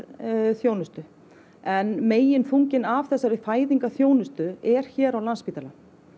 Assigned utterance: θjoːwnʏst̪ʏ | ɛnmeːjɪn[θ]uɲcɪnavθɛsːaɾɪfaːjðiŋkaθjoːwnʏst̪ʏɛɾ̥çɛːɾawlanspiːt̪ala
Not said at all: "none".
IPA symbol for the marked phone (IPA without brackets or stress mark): f